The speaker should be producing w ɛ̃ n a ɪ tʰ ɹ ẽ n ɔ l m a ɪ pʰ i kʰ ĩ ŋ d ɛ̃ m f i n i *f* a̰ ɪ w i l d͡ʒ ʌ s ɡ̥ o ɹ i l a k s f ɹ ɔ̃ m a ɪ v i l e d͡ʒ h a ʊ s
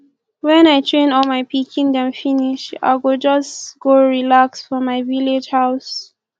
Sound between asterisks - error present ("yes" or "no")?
yes